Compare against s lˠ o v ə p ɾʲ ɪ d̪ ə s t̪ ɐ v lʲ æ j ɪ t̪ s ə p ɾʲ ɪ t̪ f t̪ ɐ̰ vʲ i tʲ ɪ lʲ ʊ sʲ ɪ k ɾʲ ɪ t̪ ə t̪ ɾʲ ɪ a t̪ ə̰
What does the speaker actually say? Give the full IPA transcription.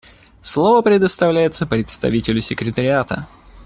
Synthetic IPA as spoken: s lˠ o v ə p ɾʲ ɪ d̪ ə s t̪ ɐ v lʲ æ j ɪ t̪ s ə p ɾʲ ɪ t̪ s t̪ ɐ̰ vʲ i tʲ ɪ lʲ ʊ sʲ ɪ k ɾʲ ɪ t̪ ə ɾʲ ɪ a t̪ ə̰